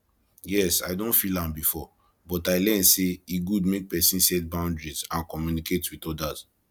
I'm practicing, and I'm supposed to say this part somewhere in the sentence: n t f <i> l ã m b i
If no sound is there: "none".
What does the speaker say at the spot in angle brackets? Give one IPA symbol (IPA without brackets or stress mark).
i